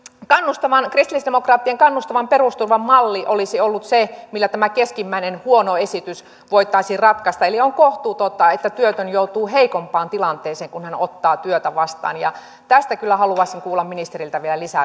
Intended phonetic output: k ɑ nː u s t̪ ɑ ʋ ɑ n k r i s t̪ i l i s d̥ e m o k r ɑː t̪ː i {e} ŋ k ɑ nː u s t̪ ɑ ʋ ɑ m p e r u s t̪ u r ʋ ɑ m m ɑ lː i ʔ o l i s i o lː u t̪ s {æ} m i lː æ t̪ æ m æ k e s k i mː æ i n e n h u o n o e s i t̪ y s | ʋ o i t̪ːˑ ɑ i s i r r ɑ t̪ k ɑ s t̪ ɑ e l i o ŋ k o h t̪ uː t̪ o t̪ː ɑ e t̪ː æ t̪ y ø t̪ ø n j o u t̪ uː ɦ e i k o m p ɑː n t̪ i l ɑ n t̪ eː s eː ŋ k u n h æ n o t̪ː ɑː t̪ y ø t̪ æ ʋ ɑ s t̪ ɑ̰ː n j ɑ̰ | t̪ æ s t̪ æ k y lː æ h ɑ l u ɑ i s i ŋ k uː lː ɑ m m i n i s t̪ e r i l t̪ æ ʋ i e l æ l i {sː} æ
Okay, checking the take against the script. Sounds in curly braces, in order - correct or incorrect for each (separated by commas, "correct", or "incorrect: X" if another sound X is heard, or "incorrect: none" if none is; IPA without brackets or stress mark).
correct, incorrect: e, incorrect: s